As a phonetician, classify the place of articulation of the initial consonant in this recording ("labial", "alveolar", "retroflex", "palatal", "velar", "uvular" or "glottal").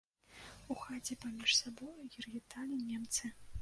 velar